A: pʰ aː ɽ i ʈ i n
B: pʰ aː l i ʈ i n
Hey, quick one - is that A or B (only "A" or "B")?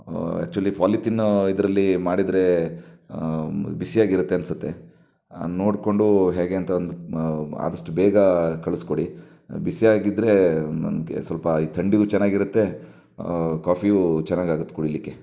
B